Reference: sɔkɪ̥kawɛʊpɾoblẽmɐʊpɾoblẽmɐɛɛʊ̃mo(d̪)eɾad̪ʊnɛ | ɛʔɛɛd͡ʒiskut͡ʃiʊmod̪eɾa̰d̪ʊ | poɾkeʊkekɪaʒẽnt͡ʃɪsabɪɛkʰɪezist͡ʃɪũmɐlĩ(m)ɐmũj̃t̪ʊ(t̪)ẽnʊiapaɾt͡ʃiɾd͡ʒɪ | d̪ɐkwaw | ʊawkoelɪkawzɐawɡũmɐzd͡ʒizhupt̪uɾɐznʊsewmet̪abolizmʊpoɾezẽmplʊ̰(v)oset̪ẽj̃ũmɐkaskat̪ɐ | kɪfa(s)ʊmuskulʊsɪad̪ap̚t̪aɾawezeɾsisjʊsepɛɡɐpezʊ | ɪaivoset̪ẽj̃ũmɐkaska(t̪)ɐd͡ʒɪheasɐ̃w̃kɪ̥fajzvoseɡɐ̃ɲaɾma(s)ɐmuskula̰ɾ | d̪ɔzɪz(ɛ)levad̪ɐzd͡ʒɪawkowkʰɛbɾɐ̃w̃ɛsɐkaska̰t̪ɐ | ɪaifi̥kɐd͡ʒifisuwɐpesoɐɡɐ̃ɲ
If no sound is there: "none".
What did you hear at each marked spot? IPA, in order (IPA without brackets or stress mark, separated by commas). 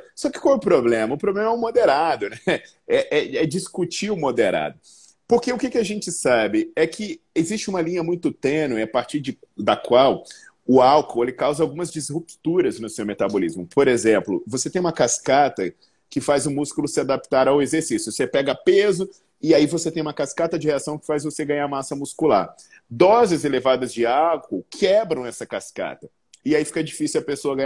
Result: d̪, ɲ, t̪, v, z, t̪, s, e